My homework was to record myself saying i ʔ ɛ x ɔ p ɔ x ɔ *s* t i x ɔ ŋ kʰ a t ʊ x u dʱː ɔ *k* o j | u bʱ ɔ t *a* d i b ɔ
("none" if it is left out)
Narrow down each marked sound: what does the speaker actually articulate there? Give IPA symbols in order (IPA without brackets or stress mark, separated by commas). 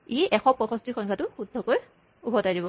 s, k, a